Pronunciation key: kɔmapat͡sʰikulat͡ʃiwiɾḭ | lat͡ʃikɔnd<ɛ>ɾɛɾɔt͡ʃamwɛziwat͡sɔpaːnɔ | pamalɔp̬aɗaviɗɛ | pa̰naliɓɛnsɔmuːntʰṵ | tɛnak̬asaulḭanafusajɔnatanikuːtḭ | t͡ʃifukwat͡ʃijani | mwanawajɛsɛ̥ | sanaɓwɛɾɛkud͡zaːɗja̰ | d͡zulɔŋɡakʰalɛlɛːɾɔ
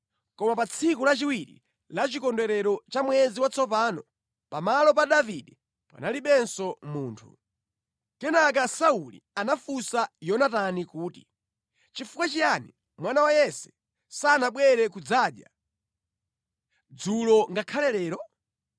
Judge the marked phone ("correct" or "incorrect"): correct